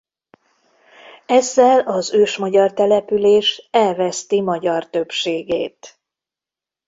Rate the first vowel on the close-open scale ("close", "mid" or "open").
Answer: mid